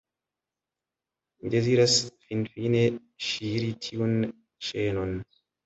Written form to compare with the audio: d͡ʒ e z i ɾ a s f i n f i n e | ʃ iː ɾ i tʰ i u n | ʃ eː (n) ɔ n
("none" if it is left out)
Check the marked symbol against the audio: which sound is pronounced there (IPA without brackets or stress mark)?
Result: n